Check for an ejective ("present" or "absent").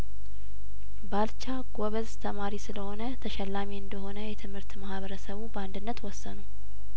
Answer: absent